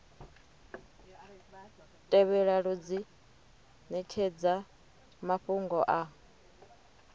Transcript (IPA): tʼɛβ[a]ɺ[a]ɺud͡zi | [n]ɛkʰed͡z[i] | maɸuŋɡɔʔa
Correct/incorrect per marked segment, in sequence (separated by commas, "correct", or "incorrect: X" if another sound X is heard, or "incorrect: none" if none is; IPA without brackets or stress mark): incorrect: ɛ, correct, correct, incorrect: a